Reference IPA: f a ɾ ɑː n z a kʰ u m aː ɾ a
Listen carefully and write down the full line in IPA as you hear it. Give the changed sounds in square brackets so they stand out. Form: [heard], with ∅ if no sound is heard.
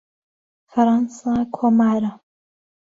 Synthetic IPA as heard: f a ɾ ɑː n [s] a kʰ [o] m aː ɾ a